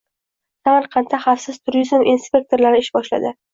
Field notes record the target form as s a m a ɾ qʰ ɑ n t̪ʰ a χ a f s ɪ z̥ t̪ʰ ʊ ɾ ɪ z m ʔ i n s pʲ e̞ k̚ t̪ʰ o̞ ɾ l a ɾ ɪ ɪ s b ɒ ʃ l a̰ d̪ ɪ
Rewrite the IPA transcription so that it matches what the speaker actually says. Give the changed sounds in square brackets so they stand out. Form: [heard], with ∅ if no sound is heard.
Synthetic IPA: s a m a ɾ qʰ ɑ n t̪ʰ a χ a f s ɪ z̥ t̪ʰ ʊ ɾ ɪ z m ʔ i n s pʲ e̞ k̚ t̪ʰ o̞ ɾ l a ɾ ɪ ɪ [ʃ] b ɒ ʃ l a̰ d̪ ɪ

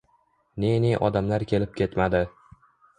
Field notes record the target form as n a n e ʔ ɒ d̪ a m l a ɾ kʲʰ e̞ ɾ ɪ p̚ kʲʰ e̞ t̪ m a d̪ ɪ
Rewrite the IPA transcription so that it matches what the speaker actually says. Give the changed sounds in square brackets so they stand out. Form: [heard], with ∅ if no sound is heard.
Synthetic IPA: n [e] n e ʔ ɒ d̪ a m l a ɾ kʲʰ e̞ [l] ɪ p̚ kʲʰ e̞ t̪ m a d̪ ɪ

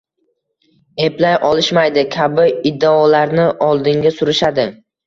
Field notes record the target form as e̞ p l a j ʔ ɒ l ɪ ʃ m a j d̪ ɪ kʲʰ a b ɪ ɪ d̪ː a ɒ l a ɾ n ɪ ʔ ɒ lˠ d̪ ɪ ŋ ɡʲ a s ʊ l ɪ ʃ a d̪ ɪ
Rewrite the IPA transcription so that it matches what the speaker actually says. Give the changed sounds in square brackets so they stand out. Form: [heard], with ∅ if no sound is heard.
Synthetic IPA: e̞ p l a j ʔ ɒ l ɪ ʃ m a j d̪ ɪ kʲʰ a b ɪ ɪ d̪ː a ɒ l a ɾ n ɪ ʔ ɒ lˠ d̪ ɪ ŋ ɡʲ a s ʊ [ɾ] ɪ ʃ a d̪ ɪ

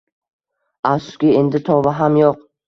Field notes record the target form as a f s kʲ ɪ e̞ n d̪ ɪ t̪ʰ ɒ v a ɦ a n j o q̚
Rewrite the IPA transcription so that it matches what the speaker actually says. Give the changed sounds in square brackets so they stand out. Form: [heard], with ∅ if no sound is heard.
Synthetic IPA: a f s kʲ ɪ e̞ n d̪ ɪ t̪ʰ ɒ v a ɦ a [m] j o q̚

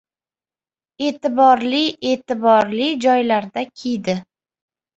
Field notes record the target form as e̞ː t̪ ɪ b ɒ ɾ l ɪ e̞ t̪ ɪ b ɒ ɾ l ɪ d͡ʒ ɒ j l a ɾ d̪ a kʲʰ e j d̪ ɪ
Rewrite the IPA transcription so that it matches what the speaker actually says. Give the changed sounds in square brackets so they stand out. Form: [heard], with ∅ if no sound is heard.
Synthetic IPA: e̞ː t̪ ɪ b ɒ ɾ l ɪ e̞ t̪ ɪ b ɒ ɾ l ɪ d͡ʒ ɒ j l a ɾ d̪ a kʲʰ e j d̪ ɪ

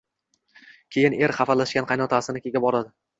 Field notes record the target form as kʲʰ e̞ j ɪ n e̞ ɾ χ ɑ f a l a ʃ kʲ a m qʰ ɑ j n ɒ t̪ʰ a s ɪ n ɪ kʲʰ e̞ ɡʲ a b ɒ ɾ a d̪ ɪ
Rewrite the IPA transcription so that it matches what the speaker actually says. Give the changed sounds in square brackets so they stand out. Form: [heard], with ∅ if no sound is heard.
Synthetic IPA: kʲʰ e̞ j ɪ n e̞ ɾ χ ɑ f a l a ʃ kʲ a [n] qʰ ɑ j n ɒ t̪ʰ a s ɪ n ɪ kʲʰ e̞ ɡʲ a b ɒ ɾ a d̪ ɪ

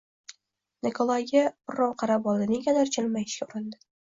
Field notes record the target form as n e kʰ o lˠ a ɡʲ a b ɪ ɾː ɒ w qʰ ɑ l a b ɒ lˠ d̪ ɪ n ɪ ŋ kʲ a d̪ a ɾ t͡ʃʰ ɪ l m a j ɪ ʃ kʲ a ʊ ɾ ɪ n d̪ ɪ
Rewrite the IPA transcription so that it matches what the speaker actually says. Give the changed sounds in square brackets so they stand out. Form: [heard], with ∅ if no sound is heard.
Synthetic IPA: n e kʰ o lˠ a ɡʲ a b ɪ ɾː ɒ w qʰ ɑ [ɾ] a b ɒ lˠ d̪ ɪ n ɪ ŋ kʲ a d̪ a ɾ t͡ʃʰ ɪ l m a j ɪ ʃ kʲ a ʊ ɾ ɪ n d̪ ɪ

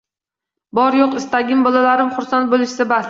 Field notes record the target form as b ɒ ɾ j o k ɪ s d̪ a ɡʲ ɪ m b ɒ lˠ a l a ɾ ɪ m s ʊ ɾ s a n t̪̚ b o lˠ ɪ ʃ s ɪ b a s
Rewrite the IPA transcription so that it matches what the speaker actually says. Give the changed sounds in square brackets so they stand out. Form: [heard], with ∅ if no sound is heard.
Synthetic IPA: b ɒ ɾ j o [q] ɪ s [t̪] a ɡʲ ɪ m b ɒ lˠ a l a ɾ ɪ m [χ] ʊ ɾ s a n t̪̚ b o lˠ ɪ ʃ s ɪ b a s

